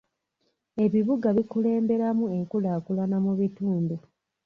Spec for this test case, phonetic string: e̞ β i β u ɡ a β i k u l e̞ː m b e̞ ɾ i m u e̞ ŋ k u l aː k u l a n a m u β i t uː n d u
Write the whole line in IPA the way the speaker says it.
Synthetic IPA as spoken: e̞ β i β u ɡ a β i k u l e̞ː m b e̞ ɾ a m u e̞ ŋ k u l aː k u l a n a m u β i t uː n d u